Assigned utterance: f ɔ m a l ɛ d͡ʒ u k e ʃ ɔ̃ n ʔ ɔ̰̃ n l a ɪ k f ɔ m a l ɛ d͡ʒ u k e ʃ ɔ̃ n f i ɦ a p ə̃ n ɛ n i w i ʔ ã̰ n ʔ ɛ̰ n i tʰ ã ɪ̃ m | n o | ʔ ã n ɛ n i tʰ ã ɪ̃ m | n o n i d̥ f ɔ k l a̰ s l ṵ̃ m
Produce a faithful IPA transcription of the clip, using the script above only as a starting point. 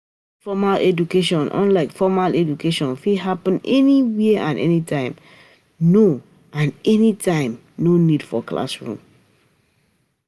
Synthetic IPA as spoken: f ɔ m a l ɛ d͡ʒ u k e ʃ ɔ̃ n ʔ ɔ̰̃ n l a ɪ k f ɔ m a l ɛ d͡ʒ u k e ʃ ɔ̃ n f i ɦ a p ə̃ n ɛ n i w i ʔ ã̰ n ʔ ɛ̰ n i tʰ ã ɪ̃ m | n o | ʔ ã n ɛ n i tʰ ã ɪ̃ m | n o n i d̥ f ɔ k l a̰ s ɹ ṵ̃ m